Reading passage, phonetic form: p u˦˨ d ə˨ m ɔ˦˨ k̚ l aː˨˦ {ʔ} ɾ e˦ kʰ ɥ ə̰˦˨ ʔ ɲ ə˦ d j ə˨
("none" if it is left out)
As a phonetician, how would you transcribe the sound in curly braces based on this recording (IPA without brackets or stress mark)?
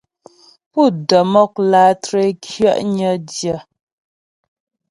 t